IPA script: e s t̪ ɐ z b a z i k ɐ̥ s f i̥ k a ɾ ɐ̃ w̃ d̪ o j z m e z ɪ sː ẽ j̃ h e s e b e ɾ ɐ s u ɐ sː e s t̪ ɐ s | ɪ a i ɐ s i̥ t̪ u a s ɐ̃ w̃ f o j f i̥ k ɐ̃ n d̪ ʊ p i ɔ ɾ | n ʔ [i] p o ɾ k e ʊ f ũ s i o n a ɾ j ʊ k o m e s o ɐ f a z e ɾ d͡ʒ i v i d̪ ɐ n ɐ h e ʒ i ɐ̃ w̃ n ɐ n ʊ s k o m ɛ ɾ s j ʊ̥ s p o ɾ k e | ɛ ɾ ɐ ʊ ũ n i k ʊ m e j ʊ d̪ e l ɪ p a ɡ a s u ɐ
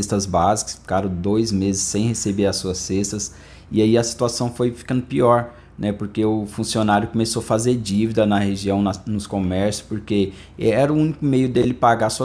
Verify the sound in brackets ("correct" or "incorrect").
incorrect